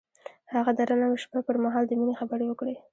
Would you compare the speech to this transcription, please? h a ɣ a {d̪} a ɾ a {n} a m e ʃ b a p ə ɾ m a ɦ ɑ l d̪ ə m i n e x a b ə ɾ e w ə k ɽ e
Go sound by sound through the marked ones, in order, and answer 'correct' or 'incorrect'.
correct, correct

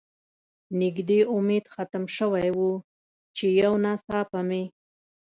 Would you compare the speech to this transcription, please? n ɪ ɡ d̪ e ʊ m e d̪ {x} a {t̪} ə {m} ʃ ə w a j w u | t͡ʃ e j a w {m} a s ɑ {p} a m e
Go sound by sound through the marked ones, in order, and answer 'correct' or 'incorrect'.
correct, correct, correct, incorrect, correct

